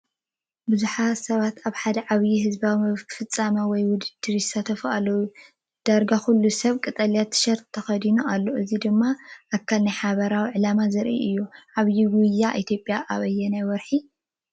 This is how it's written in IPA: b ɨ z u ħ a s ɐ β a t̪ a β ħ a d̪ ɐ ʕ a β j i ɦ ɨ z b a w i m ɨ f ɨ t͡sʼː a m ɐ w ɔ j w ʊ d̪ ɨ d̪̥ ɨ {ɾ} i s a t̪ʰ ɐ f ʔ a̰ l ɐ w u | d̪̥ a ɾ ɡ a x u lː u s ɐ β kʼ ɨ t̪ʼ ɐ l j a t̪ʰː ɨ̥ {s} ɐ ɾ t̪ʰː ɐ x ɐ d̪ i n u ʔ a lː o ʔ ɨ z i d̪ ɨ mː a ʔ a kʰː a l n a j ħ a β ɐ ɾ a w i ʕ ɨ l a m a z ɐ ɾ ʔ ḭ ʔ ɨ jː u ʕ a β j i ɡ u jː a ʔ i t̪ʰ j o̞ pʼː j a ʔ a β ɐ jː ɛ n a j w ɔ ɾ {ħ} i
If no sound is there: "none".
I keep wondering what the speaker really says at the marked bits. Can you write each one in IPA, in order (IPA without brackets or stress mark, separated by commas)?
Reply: ɾ, ʃ, ħ